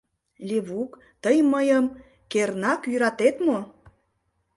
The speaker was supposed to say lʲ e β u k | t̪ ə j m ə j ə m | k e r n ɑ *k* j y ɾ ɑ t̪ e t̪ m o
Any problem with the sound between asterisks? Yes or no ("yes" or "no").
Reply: no